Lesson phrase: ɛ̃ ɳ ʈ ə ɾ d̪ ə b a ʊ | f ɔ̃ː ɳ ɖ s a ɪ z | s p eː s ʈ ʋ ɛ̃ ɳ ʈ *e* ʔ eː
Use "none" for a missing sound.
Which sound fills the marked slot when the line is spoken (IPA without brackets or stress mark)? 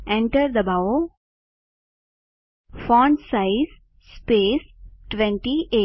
i